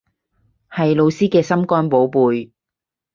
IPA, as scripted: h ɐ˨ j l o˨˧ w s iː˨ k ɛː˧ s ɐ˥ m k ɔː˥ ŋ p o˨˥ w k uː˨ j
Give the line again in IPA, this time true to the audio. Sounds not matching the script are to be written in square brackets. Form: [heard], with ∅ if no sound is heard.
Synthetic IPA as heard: h ɐ˨ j l o˨˧ w s [iː˥] k ɛː˧ s ɐ˥ m k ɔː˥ [n] p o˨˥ w [p] uː˨ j